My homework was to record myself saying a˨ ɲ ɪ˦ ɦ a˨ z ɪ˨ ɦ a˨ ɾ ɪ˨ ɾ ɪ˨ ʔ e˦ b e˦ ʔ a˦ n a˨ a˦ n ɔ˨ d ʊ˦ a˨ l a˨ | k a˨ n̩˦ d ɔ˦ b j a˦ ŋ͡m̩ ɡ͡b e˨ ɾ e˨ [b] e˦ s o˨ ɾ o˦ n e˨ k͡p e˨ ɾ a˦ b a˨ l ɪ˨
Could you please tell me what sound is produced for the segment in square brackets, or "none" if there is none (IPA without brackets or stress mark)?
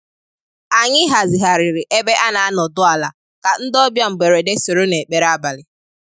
d